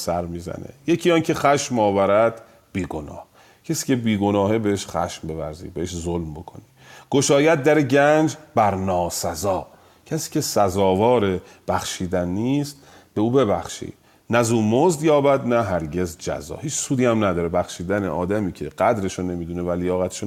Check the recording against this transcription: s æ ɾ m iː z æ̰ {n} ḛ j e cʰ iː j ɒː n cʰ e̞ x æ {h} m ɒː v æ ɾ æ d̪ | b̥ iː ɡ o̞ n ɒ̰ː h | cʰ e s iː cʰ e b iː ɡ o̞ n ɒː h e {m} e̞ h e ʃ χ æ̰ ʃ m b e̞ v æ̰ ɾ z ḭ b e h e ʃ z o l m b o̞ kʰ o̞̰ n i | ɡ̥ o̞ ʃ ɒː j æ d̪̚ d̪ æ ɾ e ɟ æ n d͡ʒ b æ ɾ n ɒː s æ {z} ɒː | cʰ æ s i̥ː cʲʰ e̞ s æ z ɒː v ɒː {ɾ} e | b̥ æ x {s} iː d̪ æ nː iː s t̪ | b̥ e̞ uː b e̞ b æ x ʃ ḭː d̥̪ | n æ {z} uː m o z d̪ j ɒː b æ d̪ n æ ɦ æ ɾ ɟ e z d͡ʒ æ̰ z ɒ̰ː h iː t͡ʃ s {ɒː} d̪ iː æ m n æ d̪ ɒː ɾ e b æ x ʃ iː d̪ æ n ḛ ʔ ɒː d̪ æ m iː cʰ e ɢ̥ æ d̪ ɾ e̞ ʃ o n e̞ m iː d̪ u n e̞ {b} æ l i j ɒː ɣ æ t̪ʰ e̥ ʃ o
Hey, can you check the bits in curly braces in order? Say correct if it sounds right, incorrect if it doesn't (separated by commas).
correct, incorrect, incorrect, correct, correct, incorrect, correct, incorrect, incorrect